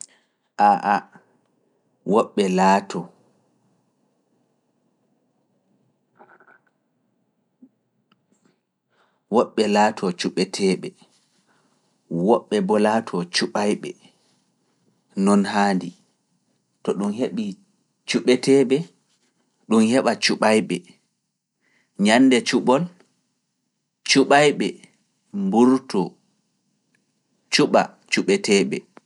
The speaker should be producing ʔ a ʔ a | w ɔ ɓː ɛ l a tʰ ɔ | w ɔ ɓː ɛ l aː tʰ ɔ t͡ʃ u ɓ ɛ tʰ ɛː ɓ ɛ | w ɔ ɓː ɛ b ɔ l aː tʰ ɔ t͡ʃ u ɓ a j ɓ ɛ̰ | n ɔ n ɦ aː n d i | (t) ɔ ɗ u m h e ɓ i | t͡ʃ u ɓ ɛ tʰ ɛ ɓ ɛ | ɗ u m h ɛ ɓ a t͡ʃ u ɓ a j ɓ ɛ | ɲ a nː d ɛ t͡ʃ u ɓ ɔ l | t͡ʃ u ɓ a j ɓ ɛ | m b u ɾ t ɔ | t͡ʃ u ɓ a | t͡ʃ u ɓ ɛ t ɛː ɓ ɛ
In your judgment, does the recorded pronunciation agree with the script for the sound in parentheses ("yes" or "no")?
yes